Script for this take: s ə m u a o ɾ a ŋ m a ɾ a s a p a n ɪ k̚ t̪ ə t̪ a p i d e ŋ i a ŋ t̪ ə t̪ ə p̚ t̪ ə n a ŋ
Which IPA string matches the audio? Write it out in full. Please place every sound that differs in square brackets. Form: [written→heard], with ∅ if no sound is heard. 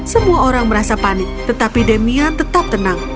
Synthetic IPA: s ə m u a o ɾ a ŋ m [a→ə] ɾ a s a p a n ɪ k̚ t̪ ə t̪ a p i d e [ŋ→m] i a [ŋ→n] t̪ ə t̪ [ə→a] p̚ t̪ ə n a ŋ